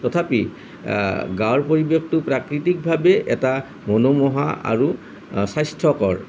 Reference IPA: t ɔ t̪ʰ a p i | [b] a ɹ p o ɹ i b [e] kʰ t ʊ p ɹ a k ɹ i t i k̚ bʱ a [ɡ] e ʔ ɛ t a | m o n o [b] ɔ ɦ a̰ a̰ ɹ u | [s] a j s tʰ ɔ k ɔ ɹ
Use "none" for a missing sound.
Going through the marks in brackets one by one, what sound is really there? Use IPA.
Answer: ɡ, e, b, m, s

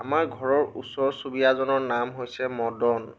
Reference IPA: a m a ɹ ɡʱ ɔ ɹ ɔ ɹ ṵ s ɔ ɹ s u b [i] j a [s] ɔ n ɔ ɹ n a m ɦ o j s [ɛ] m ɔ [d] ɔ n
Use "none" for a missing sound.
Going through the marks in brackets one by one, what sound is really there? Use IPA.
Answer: i, z, ɛ, d

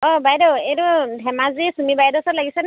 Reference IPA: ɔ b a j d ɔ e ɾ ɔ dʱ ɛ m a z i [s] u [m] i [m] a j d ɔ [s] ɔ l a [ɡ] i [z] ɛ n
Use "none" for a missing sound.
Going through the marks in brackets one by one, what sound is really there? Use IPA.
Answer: s, m, b, s, ɡ, s

